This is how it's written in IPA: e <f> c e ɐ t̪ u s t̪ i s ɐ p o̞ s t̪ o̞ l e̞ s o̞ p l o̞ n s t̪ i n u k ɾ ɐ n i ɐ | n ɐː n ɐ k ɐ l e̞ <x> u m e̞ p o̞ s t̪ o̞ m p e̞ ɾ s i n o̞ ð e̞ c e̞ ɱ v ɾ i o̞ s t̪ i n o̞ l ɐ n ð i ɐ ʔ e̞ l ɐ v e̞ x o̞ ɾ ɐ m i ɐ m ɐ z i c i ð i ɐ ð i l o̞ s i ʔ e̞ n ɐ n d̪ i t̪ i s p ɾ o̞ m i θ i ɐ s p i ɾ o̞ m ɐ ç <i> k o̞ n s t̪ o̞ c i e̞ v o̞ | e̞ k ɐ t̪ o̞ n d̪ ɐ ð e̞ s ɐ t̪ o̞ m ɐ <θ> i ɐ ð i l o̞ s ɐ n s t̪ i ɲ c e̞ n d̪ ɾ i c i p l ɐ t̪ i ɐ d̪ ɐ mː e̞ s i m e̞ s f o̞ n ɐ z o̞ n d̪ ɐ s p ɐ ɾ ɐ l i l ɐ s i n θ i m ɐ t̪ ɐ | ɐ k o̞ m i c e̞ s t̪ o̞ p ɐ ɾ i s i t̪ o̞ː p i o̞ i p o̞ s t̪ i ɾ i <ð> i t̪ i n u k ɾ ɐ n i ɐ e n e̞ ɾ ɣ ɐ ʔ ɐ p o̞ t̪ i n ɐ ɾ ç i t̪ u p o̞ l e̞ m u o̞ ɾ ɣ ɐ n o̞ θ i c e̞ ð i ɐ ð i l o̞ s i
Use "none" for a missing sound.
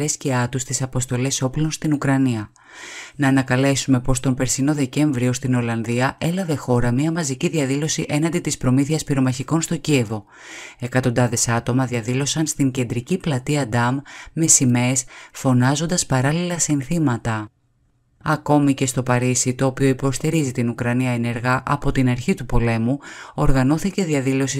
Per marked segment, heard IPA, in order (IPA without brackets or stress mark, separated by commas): s, s, i, ð, z